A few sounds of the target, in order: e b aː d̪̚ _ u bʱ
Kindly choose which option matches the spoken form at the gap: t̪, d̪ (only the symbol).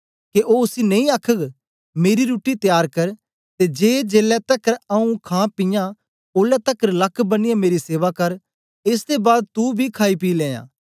t̪